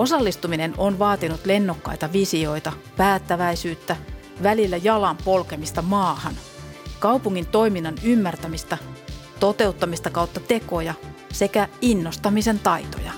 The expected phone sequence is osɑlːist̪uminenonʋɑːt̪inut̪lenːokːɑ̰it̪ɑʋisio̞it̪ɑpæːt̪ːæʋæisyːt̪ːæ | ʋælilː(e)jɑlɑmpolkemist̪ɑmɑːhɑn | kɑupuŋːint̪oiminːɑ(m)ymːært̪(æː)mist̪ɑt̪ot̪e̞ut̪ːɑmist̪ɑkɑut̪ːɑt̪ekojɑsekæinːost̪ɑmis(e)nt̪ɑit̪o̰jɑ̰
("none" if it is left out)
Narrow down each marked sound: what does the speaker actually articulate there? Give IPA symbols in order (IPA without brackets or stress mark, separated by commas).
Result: æ, n, æ, e